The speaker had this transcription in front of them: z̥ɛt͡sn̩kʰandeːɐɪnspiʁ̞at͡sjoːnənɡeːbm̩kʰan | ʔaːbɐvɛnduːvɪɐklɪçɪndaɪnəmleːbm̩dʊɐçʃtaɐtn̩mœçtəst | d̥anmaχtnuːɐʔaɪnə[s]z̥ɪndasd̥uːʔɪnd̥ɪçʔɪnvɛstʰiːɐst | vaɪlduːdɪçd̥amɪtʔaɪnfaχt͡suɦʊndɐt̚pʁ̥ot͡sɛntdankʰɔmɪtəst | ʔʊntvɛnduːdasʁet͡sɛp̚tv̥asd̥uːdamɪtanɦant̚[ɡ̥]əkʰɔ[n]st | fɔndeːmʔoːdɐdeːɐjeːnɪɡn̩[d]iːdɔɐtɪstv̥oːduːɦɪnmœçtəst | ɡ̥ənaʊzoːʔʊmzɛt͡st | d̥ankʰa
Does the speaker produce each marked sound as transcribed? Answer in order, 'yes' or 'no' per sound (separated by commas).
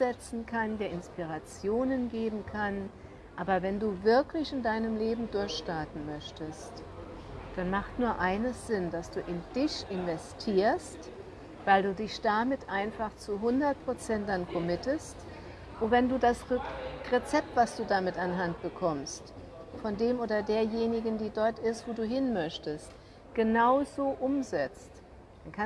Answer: yes, no, no, yes